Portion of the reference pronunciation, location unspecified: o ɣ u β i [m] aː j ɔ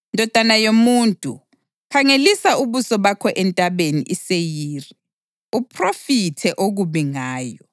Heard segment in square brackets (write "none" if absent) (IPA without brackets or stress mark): ŋ